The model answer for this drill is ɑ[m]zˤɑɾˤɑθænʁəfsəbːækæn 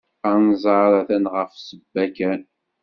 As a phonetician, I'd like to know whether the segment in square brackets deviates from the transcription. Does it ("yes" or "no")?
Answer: yes